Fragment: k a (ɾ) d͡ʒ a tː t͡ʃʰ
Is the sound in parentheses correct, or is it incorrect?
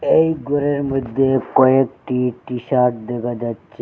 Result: incorrect